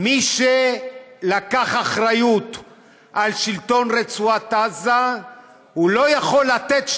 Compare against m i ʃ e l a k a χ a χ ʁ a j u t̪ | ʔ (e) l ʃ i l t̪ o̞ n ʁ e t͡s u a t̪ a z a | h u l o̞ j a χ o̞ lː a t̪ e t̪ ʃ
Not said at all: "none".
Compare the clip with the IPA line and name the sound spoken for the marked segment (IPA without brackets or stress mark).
a